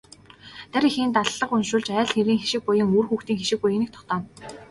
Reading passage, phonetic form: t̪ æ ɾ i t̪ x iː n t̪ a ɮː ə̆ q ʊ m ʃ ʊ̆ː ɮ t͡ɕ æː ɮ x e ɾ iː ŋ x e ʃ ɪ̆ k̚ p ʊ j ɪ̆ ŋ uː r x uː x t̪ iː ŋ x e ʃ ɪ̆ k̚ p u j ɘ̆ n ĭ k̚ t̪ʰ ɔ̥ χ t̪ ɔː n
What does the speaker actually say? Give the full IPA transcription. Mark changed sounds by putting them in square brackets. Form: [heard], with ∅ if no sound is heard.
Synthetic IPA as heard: t̪ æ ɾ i [∅] x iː n t̪ a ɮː ə̆ q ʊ [n] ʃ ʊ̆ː ɮ t͡ɕ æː ɮ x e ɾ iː ŋ x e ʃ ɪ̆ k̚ p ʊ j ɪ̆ ŋ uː r x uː x t̪ iː ŋ x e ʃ ɪ̆ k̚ p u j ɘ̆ n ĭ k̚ t̪ʰ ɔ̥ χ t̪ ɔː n